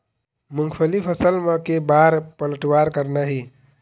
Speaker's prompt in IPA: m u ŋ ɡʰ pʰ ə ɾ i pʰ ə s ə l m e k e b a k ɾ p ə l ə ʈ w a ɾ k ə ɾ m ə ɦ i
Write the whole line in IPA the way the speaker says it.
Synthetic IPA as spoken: m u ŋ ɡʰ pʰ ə l i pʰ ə s ə l m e k e b a ɾ p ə l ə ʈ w a ɾ k ə ɾ n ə ɦ i